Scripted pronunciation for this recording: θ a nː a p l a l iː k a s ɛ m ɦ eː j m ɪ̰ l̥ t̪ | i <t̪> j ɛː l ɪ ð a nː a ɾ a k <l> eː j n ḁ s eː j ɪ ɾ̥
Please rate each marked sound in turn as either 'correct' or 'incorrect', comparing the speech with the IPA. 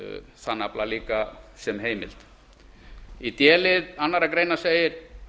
correct, incorrect: ɾ

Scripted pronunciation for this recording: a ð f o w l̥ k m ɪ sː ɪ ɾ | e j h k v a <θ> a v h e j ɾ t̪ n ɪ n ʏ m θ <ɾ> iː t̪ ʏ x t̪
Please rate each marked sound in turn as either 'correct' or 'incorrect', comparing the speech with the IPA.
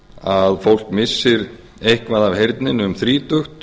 incorrect: ð, correct

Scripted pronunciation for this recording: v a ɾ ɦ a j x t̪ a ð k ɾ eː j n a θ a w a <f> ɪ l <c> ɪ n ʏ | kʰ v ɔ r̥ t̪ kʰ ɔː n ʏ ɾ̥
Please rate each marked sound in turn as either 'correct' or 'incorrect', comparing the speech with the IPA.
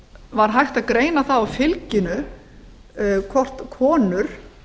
correct, correct

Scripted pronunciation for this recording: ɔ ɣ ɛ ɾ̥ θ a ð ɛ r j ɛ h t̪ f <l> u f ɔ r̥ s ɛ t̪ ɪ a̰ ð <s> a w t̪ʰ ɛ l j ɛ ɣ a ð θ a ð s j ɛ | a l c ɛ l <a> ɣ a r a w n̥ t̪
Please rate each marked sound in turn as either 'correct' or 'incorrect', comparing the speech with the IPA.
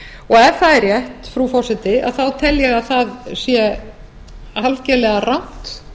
incorrect: ɾ, incorrect: θ, incorrect: ɛ

